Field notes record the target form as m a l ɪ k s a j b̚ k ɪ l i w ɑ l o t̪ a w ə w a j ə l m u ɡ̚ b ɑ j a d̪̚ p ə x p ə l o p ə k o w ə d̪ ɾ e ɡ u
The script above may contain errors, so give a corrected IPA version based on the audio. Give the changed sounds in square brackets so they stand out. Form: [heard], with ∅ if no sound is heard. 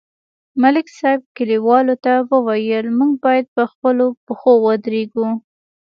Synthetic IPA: m a l ɪ k s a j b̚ k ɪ l i w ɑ l o t̪ a w ə w a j ə l m u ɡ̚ b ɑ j a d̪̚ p ə x p ə l o p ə [x] o w ə d̪ ɾ e ɡ u